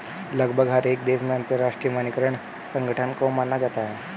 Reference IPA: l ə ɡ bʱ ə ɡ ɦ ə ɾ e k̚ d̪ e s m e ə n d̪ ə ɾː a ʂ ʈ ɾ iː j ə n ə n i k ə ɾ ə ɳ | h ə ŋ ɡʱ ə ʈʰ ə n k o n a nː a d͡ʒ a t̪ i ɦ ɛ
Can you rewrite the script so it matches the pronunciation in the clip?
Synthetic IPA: l ə ɡ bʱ ə ɡ ɦ ə ɾ e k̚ d̪ e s m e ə n t̪ ə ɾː a ʂ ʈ ɾ i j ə m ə n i k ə ɾ ə ɳ | s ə ŋ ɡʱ ə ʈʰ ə n k o m a nː a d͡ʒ a t̪ a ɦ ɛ